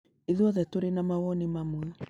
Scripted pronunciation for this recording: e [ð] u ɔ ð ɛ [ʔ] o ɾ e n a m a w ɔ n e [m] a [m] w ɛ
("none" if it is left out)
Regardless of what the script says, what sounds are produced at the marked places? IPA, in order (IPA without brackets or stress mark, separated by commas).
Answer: ð, t, m, m